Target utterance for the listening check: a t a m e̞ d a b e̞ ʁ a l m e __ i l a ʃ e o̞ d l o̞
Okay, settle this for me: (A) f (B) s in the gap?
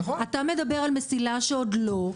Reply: B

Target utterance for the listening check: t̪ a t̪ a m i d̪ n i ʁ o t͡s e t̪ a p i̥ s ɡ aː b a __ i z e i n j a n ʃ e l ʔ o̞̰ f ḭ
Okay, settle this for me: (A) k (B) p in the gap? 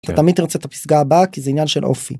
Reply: A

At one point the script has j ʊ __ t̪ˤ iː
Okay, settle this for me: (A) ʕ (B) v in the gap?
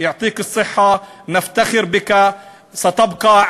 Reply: A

